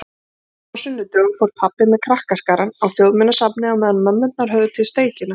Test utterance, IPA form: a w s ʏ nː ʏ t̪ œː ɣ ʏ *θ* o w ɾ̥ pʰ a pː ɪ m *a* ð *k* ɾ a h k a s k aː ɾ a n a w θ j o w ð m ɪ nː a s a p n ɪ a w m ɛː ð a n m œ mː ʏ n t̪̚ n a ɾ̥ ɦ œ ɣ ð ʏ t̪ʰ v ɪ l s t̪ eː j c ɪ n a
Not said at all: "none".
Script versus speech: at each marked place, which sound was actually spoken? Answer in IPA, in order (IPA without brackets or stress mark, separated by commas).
f, ɛ, kʰ